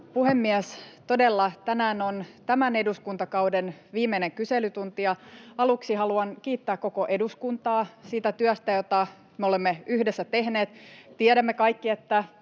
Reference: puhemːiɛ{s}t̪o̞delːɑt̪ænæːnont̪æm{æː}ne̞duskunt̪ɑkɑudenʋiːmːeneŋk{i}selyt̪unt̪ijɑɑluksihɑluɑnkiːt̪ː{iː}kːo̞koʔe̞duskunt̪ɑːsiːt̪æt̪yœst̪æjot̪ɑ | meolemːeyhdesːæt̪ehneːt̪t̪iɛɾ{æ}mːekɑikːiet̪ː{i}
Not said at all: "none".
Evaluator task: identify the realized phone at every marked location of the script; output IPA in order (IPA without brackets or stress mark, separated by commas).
s, æ, y, æː, æ, æ